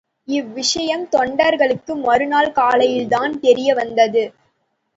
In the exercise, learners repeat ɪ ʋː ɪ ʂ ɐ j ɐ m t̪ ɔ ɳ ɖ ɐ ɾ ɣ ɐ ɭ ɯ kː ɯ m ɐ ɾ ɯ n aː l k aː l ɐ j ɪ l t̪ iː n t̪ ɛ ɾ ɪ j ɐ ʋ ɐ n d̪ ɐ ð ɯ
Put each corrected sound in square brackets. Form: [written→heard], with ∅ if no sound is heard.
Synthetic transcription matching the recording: ɪ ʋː ɪ ʂ ɐ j ɐ m t̪ ɔ ɳ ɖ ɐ ɾ ɣ ɐ ɭ ɯ kː ɯ m ɐ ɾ ɯ n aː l k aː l ɐ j ɪ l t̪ [iː→aː] n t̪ ɛ ɾ ɪ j ɐ ʋ ɐ n d̪ ɐ ð ɯ